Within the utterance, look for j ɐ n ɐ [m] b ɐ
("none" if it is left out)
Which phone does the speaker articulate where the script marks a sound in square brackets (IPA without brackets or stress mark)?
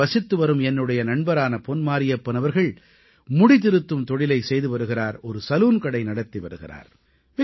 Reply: ɳ